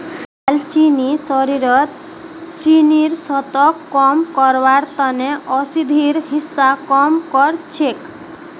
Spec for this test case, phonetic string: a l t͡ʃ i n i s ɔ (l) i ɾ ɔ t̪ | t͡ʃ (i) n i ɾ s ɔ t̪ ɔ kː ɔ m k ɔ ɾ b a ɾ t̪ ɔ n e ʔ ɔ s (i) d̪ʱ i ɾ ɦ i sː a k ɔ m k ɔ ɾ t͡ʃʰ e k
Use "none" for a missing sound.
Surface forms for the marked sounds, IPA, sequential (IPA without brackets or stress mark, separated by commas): ɾ, i, i